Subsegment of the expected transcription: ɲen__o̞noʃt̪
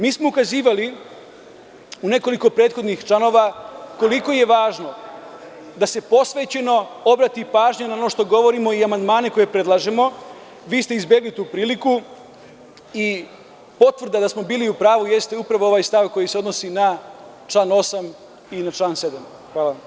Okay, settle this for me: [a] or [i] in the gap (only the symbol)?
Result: a